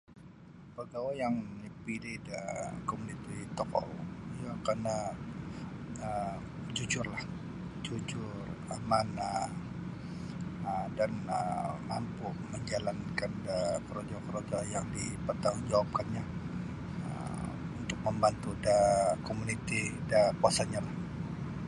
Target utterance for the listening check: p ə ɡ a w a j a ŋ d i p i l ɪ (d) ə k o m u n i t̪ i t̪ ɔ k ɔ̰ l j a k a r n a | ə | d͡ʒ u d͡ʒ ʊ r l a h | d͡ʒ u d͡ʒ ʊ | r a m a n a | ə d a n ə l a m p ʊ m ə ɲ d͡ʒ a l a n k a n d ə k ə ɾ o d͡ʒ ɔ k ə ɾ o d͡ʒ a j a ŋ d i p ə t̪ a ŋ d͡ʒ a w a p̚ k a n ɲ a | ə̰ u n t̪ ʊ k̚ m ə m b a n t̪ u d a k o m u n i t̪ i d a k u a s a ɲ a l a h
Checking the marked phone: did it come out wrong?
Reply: no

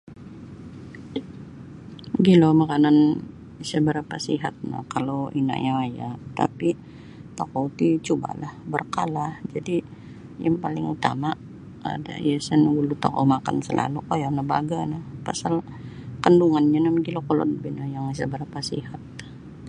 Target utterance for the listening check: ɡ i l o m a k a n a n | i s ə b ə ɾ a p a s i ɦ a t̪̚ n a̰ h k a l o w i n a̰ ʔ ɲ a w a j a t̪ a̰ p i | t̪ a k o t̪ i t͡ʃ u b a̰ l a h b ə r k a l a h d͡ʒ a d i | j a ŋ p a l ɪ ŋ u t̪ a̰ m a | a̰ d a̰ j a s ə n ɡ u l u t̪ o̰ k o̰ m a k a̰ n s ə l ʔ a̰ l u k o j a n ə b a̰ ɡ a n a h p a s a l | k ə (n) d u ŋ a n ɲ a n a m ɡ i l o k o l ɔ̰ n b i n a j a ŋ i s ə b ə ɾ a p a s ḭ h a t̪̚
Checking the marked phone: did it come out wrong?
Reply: no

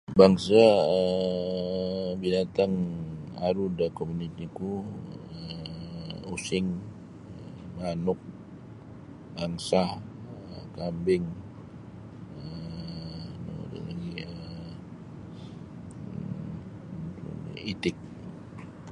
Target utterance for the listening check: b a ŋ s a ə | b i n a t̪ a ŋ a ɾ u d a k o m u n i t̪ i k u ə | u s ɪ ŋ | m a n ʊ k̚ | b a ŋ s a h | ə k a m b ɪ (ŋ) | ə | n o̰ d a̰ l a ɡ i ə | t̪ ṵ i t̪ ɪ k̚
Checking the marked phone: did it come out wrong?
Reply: no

